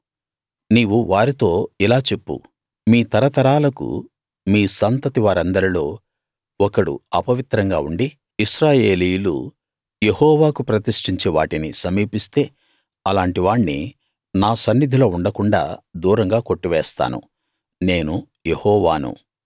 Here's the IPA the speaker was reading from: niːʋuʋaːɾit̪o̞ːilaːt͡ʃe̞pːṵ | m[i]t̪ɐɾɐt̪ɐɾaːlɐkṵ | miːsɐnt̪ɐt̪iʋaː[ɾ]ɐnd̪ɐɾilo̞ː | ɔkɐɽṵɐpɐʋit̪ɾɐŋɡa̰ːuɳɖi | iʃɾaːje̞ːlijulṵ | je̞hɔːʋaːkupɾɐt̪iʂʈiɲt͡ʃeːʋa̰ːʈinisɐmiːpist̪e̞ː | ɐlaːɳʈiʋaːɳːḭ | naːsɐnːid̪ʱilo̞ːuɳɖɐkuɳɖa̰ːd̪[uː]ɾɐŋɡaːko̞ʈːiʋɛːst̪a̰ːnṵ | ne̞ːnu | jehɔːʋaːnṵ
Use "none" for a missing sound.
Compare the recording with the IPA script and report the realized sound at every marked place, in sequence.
iː, ɾ, uː

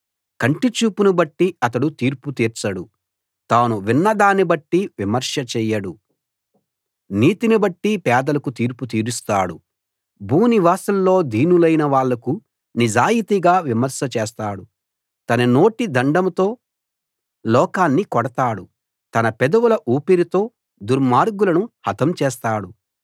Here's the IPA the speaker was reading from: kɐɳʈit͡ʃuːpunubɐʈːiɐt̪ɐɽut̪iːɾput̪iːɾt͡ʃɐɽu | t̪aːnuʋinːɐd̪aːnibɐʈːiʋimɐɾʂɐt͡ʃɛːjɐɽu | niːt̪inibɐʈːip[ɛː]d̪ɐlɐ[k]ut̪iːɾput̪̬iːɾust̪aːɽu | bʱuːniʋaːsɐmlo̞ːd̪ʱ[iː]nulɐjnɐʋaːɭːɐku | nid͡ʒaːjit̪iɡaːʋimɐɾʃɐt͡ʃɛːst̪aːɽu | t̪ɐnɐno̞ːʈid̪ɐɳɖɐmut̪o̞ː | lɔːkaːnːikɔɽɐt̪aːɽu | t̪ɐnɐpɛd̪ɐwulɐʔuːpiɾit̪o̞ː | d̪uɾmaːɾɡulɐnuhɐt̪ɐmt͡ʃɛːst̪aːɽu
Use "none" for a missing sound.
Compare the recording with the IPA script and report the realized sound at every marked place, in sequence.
ɛː, k, iː

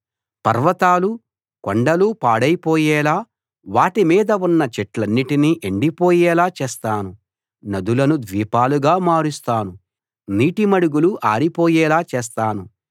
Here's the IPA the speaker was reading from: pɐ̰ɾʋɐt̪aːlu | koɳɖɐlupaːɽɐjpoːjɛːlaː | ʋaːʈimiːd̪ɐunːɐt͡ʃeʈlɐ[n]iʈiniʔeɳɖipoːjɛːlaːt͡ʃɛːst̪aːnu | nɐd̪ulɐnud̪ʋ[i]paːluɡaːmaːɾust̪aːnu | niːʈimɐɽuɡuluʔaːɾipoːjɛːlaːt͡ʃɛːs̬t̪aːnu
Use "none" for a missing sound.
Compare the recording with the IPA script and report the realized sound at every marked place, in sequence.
nː, iː

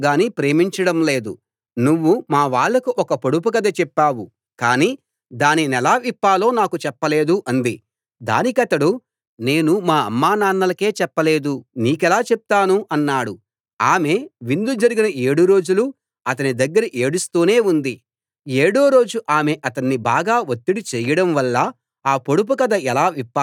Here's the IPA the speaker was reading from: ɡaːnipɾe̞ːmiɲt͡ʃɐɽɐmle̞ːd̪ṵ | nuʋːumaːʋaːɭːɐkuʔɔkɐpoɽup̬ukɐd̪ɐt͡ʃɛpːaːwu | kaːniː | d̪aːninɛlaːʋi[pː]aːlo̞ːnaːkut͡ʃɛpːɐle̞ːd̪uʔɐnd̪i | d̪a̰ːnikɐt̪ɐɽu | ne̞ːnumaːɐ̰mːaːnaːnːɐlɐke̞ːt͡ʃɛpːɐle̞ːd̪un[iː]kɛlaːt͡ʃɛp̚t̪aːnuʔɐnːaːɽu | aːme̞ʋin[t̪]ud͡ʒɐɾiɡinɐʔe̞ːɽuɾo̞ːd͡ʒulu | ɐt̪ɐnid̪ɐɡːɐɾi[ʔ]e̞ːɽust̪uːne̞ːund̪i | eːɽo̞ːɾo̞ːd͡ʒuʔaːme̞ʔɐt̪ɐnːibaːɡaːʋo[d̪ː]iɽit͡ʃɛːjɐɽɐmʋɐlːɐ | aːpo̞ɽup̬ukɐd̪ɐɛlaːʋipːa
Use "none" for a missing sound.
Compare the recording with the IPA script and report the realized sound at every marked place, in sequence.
pː, iː, d̪, ʔ, t̪ː

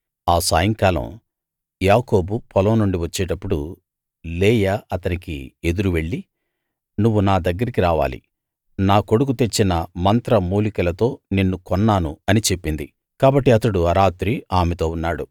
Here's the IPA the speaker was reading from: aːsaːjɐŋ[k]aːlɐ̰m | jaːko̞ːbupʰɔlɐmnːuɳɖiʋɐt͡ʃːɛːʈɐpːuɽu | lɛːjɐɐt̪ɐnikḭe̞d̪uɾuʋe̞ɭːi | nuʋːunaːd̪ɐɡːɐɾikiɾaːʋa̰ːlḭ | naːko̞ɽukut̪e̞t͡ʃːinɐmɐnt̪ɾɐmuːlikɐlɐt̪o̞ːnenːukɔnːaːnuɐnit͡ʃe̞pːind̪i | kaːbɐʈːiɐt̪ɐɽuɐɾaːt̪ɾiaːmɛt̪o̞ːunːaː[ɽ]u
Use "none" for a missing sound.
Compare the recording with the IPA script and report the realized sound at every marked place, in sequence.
k, ɽ

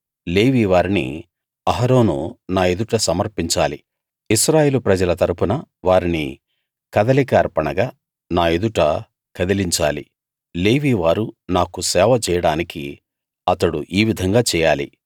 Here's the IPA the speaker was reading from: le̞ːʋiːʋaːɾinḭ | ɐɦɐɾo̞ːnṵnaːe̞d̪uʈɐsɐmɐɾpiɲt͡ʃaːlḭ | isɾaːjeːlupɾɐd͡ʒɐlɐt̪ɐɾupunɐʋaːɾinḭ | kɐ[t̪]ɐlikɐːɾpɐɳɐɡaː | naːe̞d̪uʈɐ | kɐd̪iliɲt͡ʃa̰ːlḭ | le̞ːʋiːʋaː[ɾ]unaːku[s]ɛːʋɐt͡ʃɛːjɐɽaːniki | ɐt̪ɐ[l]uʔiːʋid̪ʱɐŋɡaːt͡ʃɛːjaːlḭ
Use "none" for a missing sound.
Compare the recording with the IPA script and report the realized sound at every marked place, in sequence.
d̪, ɾ, s, ɽ

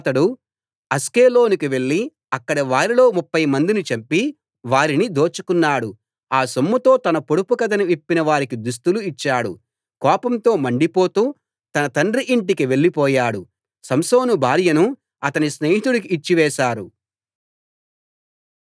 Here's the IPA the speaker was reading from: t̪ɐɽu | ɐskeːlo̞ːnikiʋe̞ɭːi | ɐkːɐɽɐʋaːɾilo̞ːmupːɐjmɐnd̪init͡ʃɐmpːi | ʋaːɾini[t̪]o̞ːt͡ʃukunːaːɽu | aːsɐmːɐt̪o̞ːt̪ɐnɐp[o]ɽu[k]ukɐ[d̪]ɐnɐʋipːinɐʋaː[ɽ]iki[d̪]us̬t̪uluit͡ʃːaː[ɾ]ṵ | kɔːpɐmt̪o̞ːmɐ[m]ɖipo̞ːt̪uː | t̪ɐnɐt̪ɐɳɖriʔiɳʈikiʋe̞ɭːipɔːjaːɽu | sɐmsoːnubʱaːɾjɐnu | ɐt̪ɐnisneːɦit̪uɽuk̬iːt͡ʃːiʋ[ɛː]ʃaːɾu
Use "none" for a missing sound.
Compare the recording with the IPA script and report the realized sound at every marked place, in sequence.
d̪, o, p, d̪, ɾ, d̪, ɽ, ɳ, ɛː

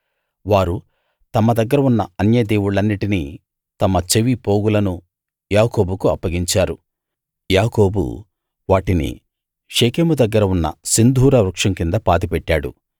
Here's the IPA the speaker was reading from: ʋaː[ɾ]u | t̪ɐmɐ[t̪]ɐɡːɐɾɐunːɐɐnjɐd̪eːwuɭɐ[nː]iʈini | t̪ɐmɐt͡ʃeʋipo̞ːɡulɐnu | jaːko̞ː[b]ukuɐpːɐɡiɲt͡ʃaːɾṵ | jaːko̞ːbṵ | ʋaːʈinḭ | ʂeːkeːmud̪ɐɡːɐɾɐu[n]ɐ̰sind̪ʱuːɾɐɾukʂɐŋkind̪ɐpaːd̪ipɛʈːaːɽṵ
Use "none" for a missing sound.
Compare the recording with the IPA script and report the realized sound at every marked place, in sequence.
ɾ, d̪, nː, b, nː

